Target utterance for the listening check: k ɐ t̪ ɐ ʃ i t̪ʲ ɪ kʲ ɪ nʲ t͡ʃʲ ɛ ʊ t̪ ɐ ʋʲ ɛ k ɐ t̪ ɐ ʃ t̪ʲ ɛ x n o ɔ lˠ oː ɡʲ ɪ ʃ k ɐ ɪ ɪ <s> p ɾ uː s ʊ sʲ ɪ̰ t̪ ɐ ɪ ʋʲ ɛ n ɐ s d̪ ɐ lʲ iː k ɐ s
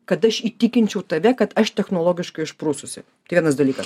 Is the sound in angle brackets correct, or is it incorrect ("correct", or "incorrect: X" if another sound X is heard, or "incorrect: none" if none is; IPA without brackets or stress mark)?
incorrect: ʃ